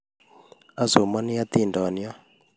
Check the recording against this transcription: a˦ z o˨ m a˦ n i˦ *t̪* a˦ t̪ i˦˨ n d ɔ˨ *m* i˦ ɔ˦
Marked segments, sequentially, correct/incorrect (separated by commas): incorrect, incorrect